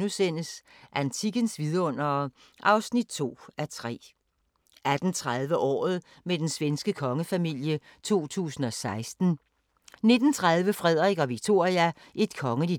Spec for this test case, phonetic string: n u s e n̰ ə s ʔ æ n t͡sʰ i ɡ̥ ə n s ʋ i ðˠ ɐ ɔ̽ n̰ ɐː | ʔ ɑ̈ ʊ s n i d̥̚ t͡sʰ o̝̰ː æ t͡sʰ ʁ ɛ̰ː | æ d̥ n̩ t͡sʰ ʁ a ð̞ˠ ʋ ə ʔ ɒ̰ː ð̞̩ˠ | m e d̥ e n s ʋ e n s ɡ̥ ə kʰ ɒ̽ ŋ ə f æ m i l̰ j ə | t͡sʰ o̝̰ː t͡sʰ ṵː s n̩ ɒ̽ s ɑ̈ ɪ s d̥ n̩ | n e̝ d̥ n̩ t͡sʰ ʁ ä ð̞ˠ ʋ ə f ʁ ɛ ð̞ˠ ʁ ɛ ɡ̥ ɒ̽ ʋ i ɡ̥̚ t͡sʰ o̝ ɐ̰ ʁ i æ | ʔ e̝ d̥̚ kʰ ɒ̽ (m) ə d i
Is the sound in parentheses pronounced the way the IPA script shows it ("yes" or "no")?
no